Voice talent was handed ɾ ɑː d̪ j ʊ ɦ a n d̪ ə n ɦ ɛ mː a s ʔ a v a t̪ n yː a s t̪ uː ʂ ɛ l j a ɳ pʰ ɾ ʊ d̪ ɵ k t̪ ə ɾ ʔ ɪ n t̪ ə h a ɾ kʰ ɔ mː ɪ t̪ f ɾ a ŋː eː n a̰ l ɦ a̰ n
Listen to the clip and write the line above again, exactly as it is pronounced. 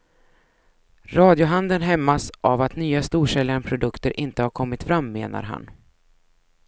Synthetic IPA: ɾ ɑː d̪ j ʊ ɦ a n d̪ ə n ɦ ɛ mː a s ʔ a v a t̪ n yː a s t̪ uː ʂ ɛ l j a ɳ pʰ ɾ ʊ d̪ ɵ k t̪ ə ɾ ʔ ɪ n t̪ ə h a ɾ kʰ ɔ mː ɪ t̪ f ɾ a mː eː n a̰ ɾ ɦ a̰ n